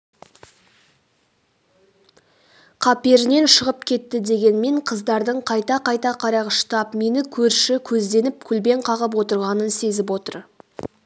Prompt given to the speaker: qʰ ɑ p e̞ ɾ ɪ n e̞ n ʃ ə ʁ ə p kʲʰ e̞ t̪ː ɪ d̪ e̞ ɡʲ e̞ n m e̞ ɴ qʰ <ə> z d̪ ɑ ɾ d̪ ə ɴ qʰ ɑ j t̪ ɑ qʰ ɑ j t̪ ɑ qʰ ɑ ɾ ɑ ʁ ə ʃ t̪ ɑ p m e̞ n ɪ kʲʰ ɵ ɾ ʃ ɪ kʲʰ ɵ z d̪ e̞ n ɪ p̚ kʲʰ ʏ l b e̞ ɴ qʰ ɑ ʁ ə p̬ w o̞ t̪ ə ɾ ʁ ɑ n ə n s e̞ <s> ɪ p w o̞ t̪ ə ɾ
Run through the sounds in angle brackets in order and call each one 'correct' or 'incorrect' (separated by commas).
correct, incorrect